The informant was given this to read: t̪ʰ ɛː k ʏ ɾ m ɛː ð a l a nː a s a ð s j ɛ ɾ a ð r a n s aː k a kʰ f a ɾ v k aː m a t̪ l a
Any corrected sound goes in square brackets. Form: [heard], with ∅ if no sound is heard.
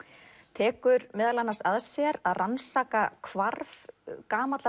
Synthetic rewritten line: t̪ʰ ɛː k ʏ ɾ m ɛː ð a l a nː a s a ð s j ɛ ɾ a ð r a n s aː k a kʰ [v] a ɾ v k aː m a t̪ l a